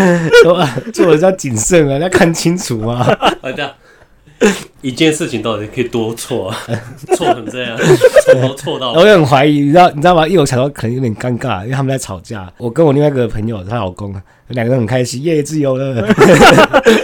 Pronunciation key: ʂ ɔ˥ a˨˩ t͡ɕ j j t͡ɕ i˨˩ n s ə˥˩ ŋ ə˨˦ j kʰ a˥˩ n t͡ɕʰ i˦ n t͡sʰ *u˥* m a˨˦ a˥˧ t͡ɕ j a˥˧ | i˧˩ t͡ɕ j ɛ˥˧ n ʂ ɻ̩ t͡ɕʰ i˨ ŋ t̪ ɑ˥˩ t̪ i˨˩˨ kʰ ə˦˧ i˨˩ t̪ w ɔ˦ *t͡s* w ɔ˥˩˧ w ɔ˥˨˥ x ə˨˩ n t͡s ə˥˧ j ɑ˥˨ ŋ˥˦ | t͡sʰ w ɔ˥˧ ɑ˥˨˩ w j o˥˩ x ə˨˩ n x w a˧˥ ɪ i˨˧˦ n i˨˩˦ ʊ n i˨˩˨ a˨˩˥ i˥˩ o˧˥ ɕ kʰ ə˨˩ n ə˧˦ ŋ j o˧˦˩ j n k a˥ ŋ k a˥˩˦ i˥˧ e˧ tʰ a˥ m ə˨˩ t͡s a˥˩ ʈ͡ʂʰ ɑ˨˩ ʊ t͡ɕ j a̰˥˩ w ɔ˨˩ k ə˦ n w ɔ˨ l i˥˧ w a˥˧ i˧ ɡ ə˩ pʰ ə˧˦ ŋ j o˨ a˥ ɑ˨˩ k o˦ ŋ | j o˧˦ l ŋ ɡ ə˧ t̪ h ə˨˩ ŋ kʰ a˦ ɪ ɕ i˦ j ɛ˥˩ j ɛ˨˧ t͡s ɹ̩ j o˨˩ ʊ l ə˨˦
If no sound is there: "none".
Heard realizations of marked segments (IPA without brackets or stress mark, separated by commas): u˨˩˦, t͡sʰ